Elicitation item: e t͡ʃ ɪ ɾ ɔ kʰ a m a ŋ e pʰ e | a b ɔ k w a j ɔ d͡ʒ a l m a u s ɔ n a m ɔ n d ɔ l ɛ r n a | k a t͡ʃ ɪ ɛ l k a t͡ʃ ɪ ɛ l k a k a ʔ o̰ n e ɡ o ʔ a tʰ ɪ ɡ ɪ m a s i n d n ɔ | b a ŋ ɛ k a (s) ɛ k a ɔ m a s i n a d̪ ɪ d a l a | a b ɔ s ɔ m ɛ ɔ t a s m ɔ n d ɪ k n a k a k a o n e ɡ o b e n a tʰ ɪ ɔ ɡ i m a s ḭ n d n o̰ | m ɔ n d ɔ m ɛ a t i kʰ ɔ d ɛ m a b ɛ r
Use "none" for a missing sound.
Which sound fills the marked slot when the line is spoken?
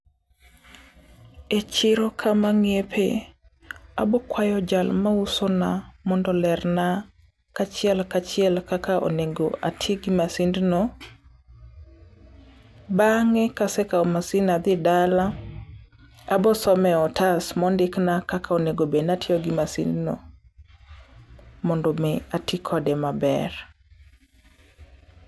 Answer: s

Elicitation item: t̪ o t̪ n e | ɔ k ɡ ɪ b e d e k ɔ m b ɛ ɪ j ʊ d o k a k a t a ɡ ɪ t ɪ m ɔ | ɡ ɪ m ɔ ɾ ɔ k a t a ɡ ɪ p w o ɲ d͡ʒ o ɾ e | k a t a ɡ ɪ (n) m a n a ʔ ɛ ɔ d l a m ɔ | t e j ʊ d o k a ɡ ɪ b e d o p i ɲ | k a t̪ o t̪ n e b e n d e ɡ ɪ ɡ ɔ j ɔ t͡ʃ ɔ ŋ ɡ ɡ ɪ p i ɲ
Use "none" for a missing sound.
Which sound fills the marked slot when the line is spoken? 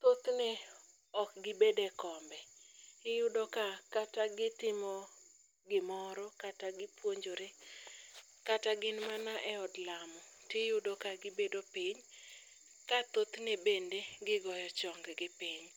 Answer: n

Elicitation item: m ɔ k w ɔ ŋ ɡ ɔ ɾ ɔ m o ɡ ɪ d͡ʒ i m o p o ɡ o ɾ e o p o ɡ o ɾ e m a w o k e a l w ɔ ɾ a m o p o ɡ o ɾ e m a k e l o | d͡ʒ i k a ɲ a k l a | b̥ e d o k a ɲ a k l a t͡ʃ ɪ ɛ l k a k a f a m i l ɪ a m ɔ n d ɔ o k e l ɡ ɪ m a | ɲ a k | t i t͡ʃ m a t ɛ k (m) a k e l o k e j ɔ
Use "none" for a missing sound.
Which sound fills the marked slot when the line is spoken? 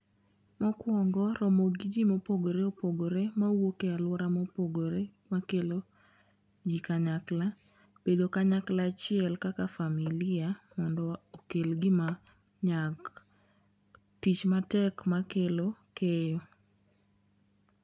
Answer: m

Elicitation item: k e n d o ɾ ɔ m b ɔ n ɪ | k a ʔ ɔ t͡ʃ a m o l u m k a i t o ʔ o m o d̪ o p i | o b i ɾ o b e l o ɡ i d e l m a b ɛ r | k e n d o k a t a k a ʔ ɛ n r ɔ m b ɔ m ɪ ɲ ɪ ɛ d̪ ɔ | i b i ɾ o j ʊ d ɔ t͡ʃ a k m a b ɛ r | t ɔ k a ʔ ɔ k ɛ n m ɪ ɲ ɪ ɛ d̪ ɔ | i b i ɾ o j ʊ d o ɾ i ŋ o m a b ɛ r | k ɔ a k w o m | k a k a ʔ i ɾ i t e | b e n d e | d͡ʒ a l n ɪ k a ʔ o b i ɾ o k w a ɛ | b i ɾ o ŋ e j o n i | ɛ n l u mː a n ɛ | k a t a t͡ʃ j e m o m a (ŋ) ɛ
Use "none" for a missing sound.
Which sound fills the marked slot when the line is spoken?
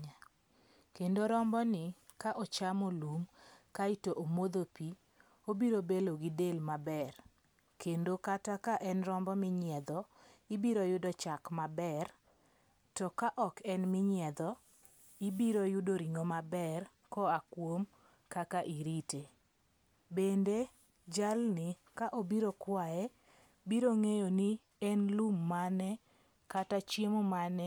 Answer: n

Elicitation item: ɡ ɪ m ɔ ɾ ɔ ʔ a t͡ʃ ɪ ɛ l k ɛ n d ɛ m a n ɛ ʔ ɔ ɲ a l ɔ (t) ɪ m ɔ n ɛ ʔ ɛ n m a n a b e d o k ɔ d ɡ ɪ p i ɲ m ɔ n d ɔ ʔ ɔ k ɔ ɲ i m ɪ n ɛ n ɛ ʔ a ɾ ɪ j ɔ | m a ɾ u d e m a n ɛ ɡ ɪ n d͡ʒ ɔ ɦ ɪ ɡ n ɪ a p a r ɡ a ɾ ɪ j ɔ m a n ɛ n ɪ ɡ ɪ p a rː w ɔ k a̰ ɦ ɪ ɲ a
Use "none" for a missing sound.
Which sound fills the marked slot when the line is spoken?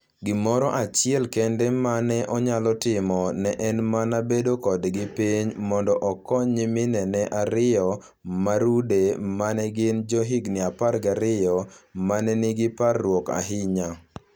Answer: t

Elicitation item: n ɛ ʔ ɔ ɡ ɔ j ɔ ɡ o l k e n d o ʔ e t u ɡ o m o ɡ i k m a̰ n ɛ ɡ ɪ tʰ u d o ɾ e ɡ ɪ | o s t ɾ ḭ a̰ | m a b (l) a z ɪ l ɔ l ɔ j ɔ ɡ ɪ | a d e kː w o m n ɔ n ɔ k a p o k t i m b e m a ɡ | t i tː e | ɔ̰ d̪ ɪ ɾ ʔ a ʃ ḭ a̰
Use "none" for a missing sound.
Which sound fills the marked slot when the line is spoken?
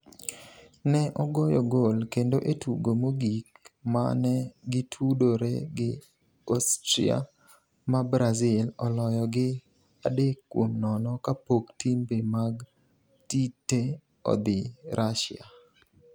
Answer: ɾ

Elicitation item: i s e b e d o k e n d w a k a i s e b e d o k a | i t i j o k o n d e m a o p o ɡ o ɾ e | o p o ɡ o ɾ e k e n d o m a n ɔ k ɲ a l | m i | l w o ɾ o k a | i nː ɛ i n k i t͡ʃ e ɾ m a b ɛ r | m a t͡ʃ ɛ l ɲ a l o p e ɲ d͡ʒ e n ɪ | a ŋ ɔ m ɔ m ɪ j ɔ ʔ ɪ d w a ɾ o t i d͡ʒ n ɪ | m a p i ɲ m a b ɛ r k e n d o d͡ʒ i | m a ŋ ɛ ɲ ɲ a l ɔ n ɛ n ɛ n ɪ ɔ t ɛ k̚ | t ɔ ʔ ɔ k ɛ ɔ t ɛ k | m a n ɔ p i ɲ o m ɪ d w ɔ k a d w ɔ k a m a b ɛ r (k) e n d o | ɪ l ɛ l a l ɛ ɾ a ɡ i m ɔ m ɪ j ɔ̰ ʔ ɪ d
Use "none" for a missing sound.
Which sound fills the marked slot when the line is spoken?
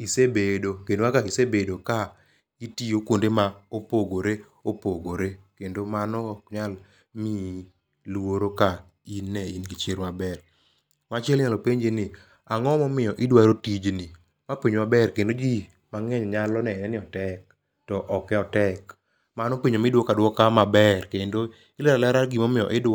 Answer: k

